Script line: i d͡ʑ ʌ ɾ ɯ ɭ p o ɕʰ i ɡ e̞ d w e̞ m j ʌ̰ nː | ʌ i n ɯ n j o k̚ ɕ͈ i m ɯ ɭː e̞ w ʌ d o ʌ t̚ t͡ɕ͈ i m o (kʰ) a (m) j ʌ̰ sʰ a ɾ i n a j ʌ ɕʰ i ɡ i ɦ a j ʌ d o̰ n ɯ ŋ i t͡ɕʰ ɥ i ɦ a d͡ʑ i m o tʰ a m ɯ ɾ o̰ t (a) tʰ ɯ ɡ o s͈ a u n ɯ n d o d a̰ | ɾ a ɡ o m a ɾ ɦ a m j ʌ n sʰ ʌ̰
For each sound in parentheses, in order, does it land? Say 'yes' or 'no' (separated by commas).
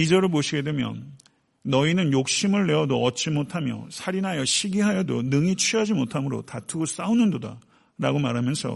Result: no, yes, yes